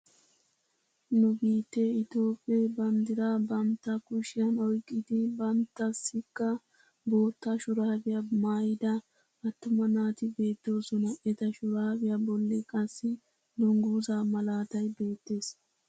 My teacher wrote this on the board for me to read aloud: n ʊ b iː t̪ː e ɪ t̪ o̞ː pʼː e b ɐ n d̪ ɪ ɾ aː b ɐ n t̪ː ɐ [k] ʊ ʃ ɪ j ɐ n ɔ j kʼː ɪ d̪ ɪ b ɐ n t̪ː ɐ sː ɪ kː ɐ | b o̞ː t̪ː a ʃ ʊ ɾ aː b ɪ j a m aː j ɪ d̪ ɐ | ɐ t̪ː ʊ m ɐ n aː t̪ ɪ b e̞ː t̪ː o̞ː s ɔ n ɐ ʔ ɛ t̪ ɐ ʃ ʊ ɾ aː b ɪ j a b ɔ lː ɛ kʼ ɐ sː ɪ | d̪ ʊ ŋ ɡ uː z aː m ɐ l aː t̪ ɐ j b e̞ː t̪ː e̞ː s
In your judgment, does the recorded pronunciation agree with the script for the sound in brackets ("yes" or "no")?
yes